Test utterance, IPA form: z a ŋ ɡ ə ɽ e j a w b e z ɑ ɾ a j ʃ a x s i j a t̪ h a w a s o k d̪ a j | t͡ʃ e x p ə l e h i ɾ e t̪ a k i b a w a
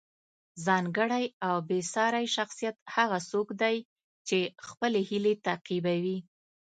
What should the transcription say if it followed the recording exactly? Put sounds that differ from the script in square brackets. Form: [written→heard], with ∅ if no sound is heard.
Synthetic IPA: z [a→ɑ] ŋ ɡ ə ɽ [e→a] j a w b e [z→s] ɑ ɾ a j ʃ a x s i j a t̪ h a [w→ɣ] a s o k d̪ a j | t͡ʃ e x p ə l e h i [ɾ→l] e t̪ a [k→q] i b a w [a→i]

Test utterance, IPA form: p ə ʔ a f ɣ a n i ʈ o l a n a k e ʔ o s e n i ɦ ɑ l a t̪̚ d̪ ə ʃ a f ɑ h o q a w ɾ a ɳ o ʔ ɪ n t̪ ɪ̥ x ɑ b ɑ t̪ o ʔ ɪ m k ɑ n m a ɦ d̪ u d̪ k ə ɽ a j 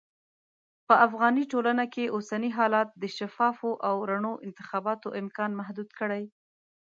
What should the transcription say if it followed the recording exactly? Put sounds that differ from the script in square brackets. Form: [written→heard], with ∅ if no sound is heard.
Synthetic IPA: p ə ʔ a f ɣ [a→ɑ] n i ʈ o l a n a k e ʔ o s [e→a] n i ɦ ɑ l [a→ɑ] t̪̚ d̪ ə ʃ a f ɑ [h→f] o [q→ʔ] a w ɾ a ɳ o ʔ ɪ n t̪ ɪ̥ x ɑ b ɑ t̪ o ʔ ɪ m k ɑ n m a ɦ d̪ u d̪ k ə ɽ a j

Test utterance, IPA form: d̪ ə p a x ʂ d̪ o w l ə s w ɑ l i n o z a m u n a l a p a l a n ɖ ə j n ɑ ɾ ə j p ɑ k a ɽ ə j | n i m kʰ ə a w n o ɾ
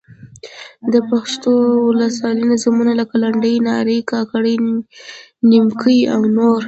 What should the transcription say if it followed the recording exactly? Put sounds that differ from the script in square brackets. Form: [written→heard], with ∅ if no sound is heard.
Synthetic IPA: d̪ ə p a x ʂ [d̪→t̪] o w l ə s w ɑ l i n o z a m u n a l a [p→k] a l a [n→ɳ] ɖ ə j n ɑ ɾ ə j [p→k] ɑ k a ɽ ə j | n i m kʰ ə a w n o ɾ

